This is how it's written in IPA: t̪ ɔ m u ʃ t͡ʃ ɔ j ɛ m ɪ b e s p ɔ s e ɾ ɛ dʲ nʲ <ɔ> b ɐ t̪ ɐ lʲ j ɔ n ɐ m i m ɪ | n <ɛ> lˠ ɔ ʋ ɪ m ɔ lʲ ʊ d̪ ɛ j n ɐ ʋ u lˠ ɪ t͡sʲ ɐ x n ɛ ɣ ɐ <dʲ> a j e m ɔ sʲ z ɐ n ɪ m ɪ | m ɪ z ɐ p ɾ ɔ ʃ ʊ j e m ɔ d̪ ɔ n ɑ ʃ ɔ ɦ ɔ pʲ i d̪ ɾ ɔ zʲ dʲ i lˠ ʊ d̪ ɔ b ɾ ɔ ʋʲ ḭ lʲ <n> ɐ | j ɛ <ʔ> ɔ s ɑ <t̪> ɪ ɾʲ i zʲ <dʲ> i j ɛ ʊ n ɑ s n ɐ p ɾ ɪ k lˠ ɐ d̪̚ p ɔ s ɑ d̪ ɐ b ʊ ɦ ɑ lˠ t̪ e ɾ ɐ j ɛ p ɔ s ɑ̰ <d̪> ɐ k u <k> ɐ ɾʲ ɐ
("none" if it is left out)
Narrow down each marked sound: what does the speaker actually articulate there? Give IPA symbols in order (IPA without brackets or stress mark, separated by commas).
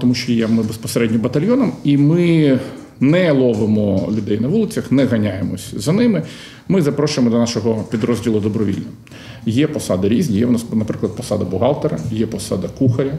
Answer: ɔ, ɛ, nʲ, n, p, d̪, nʲ, d̪, x